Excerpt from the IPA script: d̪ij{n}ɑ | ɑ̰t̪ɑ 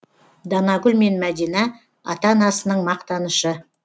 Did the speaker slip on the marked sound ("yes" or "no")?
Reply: no